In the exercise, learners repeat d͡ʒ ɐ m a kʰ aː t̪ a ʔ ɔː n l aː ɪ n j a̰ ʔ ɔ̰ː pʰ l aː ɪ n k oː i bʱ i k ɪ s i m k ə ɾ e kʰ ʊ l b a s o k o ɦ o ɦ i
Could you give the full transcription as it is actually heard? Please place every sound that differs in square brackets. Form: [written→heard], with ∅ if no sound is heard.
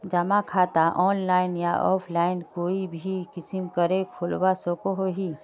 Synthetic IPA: d͡ʒ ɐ m a kʰ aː t̪ a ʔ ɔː n l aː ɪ n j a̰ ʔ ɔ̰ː pʰ l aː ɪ n k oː i bʱ i k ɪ s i m k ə ɾ e kʰ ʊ l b a s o k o ɦ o ɦ i